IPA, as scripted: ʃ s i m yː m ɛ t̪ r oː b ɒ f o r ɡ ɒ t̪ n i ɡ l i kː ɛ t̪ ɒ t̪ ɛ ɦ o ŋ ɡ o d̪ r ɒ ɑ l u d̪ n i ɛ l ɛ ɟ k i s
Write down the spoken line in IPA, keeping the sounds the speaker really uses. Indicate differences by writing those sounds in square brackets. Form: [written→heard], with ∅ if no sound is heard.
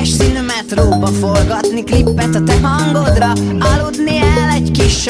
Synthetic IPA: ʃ s i [m→n] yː m ɛ t̪ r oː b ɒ f o [r→l] ɡ ɒ t̪ n i [ɡ→k] l i [kː→pː] ɛ t̪ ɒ t̪ ɛ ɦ [o→ɒ] ŋ ɡ o d̪ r ɒ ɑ l u d̪ n i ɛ l ɛ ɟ k i [s→ʃ]